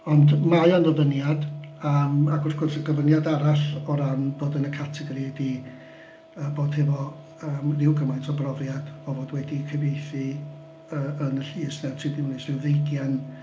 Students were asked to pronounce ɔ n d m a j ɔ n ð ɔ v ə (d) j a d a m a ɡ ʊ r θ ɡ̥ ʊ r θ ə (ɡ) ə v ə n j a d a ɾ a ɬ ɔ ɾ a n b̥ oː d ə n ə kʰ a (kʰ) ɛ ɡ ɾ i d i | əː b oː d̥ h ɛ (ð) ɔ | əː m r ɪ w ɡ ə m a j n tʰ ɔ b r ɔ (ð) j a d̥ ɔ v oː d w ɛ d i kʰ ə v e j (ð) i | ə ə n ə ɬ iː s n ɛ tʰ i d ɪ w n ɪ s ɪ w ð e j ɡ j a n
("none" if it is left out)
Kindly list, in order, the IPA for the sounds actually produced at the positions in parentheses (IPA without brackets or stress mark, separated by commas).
n, ɡ, tʰ, v, v, θ